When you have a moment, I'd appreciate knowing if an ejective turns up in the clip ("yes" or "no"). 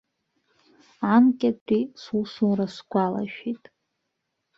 yes